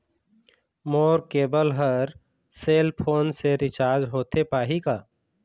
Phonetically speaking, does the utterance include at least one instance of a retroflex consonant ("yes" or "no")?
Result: no